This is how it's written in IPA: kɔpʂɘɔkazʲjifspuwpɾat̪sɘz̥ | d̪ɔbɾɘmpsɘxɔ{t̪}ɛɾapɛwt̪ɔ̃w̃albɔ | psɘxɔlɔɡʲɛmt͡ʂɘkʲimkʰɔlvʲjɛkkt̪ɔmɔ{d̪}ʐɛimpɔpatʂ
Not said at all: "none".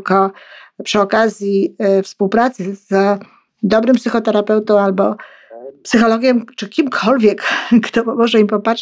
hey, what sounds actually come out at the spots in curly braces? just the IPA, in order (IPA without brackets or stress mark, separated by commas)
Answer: t̪, none